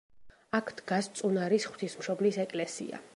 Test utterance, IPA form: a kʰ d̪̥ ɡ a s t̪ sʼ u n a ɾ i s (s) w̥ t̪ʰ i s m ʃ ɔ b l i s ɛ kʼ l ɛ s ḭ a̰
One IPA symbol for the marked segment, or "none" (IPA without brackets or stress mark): χ